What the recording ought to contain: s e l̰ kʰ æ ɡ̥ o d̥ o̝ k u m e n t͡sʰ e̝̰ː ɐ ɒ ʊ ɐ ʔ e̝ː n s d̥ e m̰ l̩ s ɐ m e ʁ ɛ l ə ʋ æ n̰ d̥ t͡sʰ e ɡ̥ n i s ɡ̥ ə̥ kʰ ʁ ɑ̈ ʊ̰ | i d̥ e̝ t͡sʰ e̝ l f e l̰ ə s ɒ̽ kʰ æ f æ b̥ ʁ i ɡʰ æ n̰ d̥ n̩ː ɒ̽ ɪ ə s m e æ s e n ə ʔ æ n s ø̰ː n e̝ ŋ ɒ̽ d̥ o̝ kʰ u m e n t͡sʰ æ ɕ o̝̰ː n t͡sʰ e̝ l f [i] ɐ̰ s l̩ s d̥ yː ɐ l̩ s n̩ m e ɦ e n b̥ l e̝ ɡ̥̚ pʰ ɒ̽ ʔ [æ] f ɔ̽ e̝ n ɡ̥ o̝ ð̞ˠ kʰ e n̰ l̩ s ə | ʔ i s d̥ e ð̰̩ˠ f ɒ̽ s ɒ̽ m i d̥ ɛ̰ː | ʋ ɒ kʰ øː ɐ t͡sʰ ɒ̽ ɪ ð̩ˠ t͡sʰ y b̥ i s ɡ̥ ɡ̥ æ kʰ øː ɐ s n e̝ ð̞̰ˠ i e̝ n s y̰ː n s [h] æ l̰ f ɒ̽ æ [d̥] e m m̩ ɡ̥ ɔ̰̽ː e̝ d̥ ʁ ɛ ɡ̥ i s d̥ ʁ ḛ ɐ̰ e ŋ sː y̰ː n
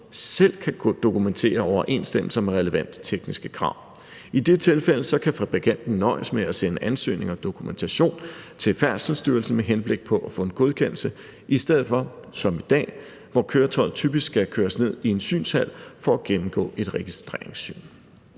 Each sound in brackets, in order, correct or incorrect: incorrect, correct, correct, incorrect

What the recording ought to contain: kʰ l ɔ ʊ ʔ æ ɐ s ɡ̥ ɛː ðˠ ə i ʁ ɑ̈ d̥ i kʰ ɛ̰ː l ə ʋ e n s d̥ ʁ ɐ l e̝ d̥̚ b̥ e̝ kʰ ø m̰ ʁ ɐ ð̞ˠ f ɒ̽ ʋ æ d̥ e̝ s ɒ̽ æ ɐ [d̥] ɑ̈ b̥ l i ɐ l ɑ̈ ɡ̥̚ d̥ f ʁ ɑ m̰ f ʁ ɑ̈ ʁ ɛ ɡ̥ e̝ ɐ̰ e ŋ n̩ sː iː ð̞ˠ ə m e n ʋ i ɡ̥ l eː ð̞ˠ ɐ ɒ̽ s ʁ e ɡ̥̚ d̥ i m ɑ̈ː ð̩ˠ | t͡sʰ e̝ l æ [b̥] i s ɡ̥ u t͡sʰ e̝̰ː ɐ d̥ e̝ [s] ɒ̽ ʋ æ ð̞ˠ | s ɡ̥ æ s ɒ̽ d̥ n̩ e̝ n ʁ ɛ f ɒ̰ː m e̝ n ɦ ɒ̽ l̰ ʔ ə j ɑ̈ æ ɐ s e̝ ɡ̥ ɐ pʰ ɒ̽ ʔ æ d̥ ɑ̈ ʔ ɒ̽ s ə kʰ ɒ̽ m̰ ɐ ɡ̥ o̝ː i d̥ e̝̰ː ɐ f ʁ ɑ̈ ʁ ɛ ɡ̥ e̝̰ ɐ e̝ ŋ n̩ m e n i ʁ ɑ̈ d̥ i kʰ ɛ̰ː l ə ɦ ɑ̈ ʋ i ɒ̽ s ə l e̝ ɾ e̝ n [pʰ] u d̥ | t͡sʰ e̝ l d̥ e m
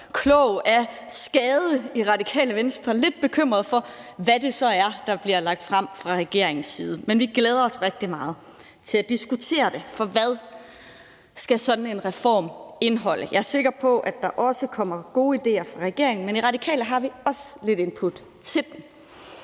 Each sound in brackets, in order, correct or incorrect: correct, incorrect, incorrect, correct

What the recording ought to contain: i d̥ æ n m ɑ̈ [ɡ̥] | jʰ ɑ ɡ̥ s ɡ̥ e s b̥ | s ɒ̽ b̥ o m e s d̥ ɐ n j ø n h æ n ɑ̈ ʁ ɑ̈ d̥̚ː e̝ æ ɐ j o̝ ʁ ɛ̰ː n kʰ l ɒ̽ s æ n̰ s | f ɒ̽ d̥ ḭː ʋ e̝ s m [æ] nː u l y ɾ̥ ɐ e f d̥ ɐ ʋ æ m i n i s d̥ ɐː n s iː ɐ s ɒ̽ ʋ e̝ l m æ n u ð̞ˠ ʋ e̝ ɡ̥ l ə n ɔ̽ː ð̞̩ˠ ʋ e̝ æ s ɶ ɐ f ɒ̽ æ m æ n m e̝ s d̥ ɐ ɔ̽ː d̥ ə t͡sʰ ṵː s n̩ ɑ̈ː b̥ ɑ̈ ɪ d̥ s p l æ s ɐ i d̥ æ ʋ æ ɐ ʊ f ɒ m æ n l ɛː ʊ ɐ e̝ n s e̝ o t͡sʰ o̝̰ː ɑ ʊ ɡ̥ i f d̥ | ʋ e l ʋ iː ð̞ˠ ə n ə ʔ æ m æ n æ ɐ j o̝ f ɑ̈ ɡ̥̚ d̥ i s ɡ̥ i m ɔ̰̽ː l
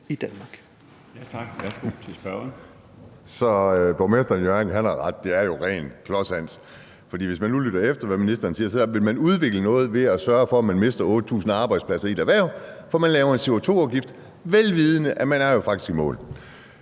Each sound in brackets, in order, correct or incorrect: correct, correct

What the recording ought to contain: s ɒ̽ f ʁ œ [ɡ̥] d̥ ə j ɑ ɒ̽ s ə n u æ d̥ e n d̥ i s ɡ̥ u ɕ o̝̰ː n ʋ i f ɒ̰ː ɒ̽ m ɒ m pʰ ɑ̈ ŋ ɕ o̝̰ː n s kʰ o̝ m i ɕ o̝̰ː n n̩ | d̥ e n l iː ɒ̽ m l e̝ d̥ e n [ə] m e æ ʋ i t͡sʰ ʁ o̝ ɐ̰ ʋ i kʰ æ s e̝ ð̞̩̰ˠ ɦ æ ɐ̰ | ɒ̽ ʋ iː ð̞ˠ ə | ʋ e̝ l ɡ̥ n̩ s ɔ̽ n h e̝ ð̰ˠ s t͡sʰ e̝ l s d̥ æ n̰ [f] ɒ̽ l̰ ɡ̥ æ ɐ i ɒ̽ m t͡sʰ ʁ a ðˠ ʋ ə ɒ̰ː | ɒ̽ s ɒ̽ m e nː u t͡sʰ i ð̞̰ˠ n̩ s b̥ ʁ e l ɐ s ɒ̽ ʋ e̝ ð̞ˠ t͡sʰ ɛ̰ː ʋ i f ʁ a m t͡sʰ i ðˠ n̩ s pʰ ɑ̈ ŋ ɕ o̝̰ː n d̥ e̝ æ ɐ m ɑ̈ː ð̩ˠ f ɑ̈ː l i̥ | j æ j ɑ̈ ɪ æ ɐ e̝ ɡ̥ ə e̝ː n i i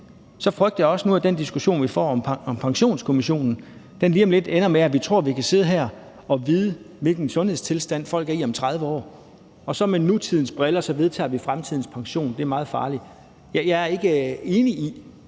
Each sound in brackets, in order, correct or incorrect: correct, incorrect, correct

